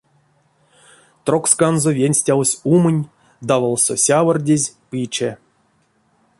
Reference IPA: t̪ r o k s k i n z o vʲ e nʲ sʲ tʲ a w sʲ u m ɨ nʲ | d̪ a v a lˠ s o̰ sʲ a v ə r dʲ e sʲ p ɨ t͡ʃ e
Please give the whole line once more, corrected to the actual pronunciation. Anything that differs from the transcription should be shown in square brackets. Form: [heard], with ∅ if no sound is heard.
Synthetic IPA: t̪ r o k s k [a] n z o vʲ e nʲ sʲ tʲ a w sʲ u m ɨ nʲ | d̪ a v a lˠ s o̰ sʲ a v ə r dʲ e [zʲ] p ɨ t͡ʃ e

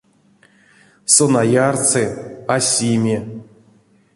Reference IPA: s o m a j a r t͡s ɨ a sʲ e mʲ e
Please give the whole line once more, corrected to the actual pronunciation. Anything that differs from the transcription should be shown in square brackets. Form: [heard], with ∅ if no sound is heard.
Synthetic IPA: s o [n] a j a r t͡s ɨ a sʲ [i] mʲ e

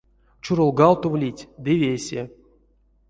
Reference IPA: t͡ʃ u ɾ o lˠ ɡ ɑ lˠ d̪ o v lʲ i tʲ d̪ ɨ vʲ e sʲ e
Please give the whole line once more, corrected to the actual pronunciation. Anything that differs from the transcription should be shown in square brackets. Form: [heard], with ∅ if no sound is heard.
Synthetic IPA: t͡ʃ u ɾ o lˠ ɡ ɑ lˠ [t̪] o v lʲ i tʲ d̪ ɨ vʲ e sʲ e

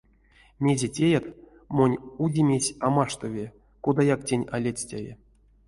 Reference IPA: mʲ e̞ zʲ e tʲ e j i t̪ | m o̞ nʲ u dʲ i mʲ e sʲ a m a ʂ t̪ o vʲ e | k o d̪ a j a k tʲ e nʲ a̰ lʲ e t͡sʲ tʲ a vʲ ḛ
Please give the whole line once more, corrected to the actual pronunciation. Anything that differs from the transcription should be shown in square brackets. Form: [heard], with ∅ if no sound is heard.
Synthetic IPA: mʲ e̞ zʲ e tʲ e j [a] t̪ | m o̞ nʲ u dʲ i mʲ e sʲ a m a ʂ t̪ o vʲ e | k o d̪ a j a k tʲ e nʲ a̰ lʲ e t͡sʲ tʲ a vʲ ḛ

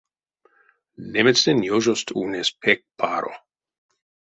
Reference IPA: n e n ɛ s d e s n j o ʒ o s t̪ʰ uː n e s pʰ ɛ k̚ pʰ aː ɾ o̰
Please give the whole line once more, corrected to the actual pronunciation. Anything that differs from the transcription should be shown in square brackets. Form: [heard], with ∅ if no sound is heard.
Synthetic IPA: n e [m] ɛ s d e [∅] n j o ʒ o s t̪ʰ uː n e s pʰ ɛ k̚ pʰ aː ɾ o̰

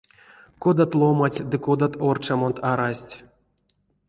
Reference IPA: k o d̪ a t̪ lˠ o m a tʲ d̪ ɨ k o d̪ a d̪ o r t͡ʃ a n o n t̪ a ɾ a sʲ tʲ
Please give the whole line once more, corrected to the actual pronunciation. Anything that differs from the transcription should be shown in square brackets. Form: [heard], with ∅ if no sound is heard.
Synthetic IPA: k o d̪ a t̪ lˠ o m a tʲ d̪ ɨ k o d̪ a [t̪] o r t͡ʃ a [m] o n t̪ a ɾ a sʲ tʲ

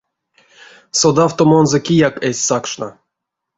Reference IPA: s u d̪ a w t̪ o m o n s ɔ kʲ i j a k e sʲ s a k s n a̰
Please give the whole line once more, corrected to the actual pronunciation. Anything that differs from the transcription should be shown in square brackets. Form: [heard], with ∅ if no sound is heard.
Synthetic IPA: s [o] d̪ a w t̪ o m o n [z] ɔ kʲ i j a k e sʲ s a k [ʂ] n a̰

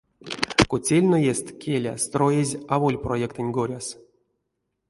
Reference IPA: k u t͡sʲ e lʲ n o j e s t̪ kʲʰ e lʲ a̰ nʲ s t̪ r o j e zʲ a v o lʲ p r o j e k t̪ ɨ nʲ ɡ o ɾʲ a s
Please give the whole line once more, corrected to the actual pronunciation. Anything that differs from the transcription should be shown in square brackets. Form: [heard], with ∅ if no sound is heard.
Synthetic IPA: k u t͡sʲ e lʲ n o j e s t̪ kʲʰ e lʲ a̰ [∅] s t̪ r o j e zʲ a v o lʲ p r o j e k t̪ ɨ nʲ ɡ o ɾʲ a s

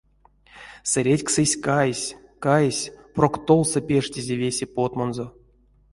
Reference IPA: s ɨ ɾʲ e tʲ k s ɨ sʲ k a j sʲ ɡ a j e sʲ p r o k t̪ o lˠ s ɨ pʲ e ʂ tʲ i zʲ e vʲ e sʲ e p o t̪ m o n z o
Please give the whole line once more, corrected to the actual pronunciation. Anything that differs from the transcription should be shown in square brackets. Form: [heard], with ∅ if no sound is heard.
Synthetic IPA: s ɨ ɾʲ e tʲ k s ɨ sʲ k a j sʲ [k] a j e sʲ p r o k t̪ o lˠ s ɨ pʲ e ʂ tʲ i zʲ e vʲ e sʲ e p o t̪ m o n z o

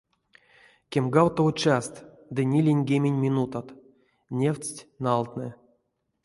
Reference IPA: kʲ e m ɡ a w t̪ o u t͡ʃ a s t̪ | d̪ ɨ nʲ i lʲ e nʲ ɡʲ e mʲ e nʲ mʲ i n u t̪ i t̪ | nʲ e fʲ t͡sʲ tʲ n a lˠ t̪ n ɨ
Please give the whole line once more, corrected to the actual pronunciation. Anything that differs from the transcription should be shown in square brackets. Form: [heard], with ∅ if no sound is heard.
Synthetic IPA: kʲ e m ɡ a w t̪ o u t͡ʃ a s t̪ | d̪ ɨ nʲ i lʲ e nʲ ɡʲ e mʲ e nʲ mʲ i n u t̪ [a] t̪ | nʲ e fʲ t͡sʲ tʲ n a lˠ t̪ n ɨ

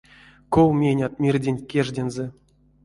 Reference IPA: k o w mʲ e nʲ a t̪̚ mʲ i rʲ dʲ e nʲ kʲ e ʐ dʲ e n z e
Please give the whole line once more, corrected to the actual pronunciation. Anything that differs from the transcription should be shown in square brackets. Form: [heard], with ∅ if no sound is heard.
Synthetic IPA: k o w mʲ e nʲ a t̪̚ mʲ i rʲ dʲ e nʲ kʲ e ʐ dʲ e n z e

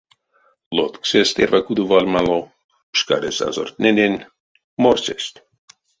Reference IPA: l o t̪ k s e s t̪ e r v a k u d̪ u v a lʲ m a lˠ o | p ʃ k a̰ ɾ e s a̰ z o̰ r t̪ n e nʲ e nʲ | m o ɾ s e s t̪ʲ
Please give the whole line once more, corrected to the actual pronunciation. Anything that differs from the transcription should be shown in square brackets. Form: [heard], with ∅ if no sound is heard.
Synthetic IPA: l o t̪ k s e s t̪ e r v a k u d̪ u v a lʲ m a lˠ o | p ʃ k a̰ ɾ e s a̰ z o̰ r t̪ n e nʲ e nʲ | m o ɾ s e s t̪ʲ

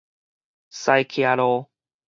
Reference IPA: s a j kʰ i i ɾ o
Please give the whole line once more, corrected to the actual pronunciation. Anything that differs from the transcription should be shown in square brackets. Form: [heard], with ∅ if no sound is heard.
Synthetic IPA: s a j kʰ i [a] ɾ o

